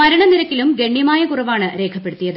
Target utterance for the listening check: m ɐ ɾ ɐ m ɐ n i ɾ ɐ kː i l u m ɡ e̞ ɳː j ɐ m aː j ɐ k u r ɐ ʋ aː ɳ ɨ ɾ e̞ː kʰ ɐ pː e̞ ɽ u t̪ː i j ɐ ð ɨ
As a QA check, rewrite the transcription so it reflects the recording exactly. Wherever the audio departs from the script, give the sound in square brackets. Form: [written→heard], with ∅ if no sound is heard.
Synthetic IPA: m ɐ ɾ ɐ [m→ɳ] ɐ n i ɾ ɐ kː i l u m ɡ e̞ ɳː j ɐ m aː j ɐ k u r ɐ ʋ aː ɳ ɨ ɾ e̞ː kʰ ɐ pː e̞ ɽ u t̪ː i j ɐ ð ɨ

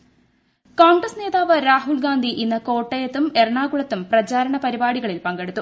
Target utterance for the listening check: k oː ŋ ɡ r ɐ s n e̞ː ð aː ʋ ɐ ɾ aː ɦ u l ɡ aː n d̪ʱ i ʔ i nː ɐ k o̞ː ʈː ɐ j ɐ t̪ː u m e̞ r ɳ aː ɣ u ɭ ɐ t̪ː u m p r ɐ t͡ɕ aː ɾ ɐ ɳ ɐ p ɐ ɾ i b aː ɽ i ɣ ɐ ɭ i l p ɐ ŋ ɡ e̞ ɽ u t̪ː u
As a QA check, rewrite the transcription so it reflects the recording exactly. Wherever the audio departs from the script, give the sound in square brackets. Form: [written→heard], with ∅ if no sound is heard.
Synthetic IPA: k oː ŋ ɡ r ɐ s n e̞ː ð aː ʋ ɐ ɾ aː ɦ u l ɡ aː n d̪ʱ i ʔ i nː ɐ k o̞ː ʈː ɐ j ɐ t̪ː u m e̞ r ɳ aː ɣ u ɭ ɐ t̪ː u m p r ɐ t͡ɕ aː ɾ ɐ ɳ ɐ p ɐ ɾ i b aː ɽ i ɣ ɐ ɭ i l p ɐ ŋ ɡ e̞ ɽ u t̪ː u

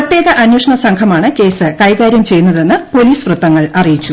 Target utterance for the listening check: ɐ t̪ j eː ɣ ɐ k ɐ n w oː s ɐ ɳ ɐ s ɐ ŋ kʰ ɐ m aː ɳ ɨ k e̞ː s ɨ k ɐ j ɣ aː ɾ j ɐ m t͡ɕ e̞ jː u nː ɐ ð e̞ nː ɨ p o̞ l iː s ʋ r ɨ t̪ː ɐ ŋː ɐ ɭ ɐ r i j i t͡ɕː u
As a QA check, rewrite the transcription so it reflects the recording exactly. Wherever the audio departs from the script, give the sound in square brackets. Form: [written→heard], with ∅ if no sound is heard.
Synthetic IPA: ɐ t̪ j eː ɣ ɐ [k→ʔ] ɐ n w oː [s→ʂ] ɐ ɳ ɐ s ɐ ŋ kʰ ɐ m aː ɳ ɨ k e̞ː s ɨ k ɐ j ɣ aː ɾ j ɐ m t͡ɕ e̞ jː u nː ɐ ð e̞ nː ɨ p o̞ l iː s ʋ r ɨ t̪ː ɐ ŋː ɐ ɭ ɐ r i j i t͡ɕː u

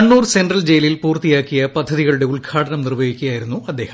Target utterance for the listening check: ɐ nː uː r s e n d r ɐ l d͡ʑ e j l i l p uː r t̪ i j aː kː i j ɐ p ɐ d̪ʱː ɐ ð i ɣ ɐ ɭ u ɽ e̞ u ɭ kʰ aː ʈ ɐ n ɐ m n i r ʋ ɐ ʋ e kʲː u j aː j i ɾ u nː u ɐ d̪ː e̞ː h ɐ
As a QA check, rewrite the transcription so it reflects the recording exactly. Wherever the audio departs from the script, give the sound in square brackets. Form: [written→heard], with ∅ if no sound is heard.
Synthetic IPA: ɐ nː uː r s e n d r ɐ l d͡ʑ e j l i l p uː r t̪ i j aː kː i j ɐ p ɐ d̪ʱː ɐ ð i ɣ ɐ ɭ u ɽ e̞ u ɭ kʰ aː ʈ ɐ n ɐ m n i r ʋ ɐ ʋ [e→i] kʲː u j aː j i ɾ u nː u ɐ d̪ː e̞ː h ɐ

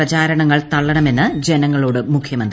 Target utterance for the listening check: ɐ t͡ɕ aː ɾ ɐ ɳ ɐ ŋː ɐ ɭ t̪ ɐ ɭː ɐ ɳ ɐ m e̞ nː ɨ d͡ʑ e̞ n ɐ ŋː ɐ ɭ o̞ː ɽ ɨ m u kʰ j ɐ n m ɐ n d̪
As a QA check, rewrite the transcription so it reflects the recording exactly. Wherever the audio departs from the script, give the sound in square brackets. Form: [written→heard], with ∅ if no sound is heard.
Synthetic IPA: ɐ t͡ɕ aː ɾ ɐ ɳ ɐ ŋː ɐ ɭ t̪ ɐ ɭː ɐ ɳ ɐ m e̞ nː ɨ d͡ʑ e̞ n ɐ ŋː ɐ ɭ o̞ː ɽ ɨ m u kʰ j ɐ [n→∅] m ɐ n d̪

